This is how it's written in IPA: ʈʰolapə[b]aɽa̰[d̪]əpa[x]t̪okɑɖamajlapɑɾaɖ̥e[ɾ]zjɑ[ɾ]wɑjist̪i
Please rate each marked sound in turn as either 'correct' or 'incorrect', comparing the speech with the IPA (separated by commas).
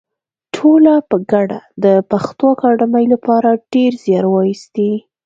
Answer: incorrect, correct, correct, correct, correct